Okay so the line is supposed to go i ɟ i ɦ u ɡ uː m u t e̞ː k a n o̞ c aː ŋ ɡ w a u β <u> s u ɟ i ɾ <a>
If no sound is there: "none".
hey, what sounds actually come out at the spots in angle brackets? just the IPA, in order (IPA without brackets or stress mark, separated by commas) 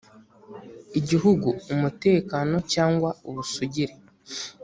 u, e